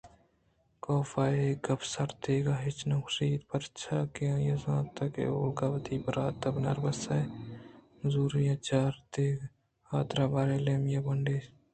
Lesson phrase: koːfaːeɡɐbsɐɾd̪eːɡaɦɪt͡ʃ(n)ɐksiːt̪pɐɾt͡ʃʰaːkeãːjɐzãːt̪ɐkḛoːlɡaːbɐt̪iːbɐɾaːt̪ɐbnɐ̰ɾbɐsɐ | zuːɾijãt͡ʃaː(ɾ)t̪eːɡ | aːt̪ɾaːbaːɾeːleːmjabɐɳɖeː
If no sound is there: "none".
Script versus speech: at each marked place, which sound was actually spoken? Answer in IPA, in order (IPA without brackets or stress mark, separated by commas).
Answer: n, ɾ